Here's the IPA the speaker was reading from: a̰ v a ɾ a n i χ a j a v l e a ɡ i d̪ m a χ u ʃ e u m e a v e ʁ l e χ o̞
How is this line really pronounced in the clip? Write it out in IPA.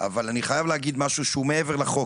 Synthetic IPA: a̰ v a l a n i χ a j a v l e a ɡ i d̪ m a ʃ u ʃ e u m e e v e ʁ l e χ o̞